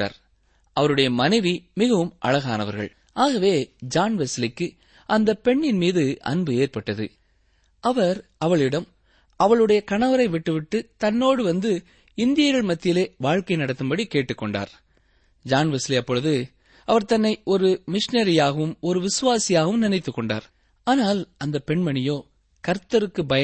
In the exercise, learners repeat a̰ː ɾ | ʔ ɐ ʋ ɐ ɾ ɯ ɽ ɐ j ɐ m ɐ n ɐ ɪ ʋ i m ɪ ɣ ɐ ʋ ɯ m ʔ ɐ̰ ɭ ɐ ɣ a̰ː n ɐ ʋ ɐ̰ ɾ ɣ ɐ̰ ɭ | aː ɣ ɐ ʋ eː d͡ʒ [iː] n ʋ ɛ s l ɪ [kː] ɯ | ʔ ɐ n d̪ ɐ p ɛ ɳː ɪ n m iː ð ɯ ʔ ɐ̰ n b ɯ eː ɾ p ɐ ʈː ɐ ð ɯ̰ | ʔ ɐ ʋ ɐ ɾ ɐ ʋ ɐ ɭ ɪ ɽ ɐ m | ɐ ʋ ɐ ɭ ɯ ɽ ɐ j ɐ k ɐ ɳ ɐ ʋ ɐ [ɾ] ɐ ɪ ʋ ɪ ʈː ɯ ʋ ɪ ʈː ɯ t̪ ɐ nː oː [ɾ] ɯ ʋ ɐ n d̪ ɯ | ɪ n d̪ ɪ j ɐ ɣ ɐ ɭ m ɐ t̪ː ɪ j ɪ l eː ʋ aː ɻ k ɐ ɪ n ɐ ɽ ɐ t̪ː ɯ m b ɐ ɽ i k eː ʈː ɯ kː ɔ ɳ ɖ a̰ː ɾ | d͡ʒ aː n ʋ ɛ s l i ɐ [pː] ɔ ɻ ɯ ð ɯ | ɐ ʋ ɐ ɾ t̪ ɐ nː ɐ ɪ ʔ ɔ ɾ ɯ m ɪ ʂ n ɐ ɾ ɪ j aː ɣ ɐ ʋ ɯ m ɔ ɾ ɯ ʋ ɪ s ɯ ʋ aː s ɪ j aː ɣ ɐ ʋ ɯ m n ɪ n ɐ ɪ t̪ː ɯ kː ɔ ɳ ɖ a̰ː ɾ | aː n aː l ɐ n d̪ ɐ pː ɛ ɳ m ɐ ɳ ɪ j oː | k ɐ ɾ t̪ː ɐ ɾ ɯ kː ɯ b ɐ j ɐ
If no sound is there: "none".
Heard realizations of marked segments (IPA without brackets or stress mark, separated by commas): aː, kː, ɾ, ɽ, pː